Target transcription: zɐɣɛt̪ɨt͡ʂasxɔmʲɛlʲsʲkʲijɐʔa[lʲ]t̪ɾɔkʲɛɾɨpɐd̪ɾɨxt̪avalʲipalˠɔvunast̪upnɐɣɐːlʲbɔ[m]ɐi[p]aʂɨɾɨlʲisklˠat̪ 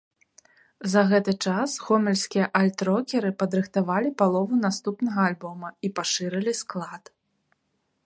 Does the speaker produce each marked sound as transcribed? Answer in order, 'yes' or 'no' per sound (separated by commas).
yes, yes, yes